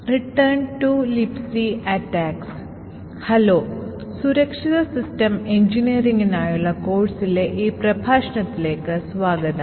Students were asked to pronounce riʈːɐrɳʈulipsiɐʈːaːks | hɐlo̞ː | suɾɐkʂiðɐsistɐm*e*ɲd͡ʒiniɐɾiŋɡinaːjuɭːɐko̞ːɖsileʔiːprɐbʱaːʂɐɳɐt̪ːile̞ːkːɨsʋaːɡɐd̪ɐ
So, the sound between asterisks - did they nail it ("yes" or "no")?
yes